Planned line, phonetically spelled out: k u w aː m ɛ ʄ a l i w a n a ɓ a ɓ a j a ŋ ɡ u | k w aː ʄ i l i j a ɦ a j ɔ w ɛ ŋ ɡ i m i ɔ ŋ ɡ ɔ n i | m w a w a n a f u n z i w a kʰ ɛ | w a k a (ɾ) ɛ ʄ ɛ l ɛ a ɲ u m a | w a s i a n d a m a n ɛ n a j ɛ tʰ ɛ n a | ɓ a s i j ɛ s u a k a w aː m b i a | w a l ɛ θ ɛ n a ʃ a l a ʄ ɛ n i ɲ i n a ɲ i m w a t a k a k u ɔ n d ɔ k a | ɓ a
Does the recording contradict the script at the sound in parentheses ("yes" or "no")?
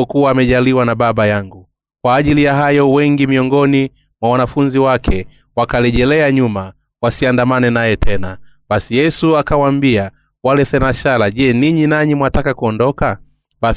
yes